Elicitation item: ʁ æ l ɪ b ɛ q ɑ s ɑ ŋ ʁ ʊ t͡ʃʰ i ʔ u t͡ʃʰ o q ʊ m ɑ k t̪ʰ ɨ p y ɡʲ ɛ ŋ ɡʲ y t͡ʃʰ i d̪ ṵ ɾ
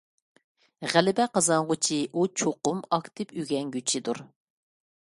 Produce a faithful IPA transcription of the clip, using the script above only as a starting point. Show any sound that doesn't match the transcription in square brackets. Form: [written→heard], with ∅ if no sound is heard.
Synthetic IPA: ʁ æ l ɪ b ɛ q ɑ [s→z] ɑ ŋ ʁ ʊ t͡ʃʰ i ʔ u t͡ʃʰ o q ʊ m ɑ k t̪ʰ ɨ p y ɡʲ ɛ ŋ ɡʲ y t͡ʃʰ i d̪ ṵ ɾ